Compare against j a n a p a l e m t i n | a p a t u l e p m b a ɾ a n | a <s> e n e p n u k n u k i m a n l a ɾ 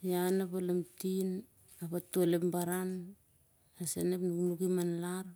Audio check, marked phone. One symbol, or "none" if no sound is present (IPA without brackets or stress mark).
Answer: s